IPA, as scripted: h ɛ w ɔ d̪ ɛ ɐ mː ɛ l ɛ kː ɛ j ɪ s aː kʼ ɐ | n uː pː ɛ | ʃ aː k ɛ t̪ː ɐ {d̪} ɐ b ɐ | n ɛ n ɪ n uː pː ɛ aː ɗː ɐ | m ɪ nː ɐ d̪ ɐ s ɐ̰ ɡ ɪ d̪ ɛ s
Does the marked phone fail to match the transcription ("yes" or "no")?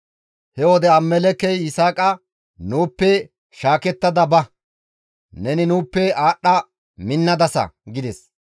no